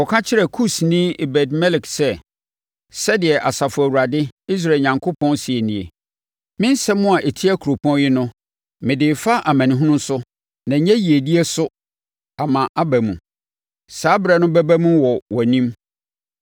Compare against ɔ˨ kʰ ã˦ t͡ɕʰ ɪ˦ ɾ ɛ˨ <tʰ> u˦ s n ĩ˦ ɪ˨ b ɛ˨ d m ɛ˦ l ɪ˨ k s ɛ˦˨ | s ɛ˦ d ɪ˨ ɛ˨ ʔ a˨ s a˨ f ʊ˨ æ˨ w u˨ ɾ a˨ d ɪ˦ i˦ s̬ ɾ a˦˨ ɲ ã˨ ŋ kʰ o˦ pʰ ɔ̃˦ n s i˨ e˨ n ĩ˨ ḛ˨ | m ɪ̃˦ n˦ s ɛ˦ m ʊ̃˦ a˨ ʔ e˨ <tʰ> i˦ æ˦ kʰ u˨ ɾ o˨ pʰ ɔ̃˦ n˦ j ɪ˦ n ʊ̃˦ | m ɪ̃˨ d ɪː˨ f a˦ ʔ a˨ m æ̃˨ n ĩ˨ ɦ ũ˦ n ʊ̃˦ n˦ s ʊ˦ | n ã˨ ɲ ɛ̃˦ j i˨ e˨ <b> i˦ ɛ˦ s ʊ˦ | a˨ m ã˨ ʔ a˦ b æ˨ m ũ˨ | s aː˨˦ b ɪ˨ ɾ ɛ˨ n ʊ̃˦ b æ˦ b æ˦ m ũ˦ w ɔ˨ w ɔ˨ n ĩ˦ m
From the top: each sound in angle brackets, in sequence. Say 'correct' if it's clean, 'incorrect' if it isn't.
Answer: incorrect: kʰ, correct, incorrect: d

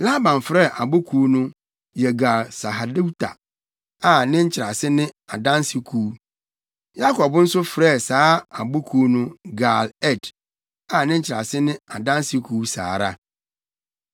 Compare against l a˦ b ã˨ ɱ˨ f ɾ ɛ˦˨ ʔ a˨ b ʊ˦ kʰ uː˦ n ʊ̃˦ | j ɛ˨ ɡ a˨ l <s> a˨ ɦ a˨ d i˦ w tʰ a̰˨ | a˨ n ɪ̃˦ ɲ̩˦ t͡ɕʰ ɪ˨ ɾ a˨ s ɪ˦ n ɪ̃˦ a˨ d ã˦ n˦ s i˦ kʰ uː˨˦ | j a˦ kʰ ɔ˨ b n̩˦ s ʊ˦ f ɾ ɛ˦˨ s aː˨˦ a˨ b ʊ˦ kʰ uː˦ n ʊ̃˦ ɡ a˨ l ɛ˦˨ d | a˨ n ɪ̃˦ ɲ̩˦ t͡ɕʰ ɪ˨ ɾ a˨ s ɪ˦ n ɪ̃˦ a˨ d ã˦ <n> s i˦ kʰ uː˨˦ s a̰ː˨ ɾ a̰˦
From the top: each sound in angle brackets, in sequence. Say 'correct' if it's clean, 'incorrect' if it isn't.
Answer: correct, correct

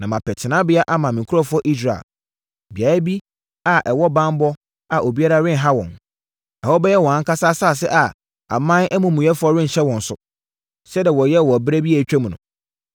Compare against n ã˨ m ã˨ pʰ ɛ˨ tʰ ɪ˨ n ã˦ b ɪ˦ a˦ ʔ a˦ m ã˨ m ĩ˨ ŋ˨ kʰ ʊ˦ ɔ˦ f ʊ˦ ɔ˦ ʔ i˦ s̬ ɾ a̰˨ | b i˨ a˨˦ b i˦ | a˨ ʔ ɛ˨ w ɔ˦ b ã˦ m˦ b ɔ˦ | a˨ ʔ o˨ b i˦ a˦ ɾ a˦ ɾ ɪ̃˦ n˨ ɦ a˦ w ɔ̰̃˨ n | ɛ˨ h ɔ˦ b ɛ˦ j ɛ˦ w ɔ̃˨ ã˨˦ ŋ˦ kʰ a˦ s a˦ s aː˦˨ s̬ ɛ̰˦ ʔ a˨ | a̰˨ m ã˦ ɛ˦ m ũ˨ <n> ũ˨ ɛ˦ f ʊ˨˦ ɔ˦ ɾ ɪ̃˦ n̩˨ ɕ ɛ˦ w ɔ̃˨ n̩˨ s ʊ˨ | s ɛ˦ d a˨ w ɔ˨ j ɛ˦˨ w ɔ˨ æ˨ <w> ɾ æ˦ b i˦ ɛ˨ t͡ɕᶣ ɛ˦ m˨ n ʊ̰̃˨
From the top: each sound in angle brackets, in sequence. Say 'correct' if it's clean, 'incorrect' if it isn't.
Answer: incorrect: m, incorrect: b

